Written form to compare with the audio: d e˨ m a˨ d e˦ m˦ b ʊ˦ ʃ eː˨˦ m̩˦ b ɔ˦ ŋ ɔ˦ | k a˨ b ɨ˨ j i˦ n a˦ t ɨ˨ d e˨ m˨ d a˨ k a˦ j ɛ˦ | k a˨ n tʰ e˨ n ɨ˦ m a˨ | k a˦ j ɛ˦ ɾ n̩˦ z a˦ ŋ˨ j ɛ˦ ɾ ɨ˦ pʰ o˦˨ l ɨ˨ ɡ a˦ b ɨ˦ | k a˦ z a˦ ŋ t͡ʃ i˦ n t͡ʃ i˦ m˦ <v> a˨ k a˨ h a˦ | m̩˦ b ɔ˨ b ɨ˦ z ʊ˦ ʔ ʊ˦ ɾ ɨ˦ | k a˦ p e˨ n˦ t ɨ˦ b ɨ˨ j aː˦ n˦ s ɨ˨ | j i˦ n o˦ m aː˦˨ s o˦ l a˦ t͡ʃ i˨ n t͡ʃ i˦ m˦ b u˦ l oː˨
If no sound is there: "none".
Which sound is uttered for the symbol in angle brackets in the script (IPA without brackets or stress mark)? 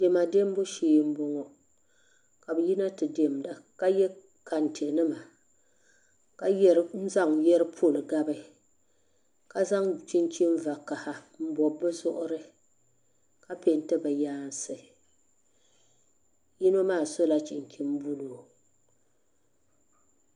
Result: v